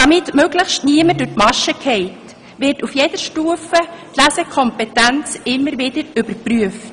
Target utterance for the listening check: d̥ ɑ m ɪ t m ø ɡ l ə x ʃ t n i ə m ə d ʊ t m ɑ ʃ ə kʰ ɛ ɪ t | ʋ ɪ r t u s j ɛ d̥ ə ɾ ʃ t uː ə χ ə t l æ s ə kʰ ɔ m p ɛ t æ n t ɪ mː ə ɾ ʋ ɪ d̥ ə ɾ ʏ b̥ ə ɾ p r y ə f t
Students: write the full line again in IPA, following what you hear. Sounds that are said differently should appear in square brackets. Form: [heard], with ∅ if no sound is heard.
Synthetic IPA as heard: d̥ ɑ m ɪ t m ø ɡ l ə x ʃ t n i ə m ə d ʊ t m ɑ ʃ ə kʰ ɛ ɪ t | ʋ ɪ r t u [f] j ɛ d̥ ə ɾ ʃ t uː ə [f] ə t l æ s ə kʰ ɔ m p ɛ t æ n [t͡s] ɪ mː ə ɾ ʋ ɪ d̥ ə ɾ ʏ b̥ ə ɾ p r y ə f t